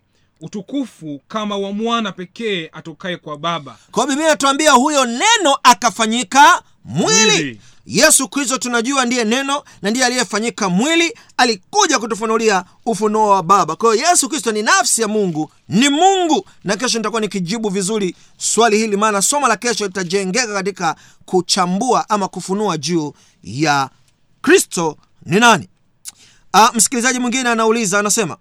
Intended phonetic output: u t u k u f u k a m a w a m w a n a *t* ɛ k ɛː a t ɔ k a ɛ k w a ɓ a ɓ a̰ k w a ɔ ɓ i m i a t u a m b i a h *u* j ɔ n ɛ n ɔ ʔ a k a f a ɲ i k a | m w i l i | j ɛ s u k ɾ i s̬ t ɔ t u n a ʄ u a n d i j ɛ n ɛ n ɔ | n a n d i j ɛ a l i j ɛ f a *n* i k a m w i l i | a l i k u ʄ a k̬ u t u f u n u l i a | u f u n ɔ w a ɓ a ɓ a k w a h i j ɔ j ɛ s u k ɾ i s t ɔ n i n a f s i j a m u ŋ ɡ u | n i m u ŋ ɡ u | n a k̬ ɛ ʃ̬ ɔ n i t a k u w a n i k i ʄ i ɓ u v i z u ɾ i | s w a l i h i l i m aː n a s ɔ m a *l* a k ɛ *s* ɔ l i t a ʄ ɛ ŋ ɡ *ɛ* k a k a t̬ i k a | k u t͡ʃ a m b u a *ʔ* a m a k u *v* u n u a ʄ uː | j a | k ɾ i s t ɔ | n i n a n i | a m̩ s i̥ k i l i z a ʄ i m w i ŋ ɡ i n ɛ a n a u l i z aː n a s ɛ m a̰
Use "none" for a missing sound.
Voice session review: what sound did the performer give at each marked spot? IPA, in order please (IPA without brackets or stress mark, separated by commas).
p, u, ɲ, l, ʃ, ɛ, ʔ, f